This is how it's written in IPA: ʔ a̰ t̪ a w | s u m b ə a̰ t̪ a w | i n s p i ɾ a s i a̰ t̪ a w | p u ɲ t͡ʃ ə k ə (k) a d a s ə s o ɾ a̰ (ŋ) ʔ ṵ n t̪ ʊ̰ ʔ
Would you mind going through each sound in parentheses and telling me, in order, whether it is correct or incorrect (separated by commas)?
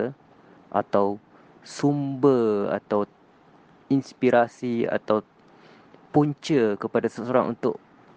incorrect, correct